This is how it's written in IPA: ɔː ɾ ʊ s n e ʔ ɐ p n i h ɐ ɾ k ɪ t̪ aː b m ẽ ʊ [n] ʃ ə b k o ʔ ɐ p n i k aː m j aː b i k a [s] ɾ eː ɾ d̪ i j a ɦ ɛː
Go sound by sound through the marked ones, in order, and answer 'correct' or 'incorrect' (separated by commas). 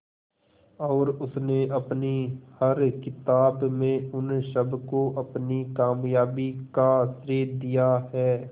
correct, correct